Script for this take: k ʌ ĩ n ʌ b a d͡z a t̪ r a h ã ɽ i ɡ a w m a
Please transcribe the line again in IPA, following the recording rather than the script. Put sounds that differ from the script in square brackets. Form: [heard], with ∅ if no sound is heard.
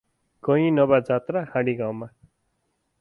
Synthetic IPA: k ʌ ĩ n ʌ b a d͡z a t̪ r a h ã ɽ i ɡ a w m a